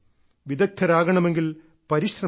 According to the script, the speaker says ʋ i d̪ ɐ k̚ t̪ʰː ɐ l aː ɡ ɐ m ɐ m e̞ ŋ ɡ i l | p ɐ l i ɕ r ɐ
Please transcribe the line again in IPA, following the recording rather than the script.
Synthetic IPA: ʋ i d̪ ɐ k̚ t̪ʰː ɐ ɾ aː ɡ ɐ ɳ ɐ m e̞ ŋ ɡ i l | p ɐ ɾ i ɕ r ɐ